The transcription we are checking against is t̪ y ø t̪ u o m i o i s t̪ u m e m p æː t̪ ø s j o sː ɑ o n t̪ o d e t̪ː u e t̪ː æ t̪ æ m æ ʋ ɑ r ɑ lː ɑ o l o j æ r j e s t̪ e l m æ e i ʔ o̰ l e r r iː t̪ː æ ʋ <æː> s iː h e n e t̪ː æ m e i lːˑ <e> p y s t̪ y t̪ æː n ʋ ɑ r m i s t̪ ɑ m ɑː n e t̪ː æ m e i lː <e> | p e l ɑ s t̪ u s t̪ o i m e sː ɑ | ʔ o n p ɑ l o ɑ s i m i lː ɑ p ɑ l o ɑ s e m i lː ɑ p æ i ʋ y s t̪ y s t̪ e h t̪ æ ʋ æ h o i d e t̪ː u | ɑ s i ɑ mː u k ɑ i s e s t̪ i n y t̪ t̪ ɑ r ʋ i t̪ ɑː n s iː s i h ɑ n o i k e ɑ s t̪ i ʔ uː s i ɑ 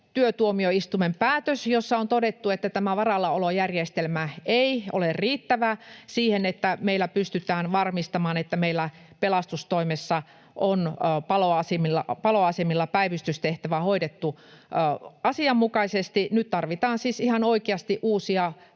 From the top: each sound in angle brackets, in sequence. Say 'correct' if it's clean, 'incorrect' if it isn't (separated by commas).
incorrect, incorrect, incorrect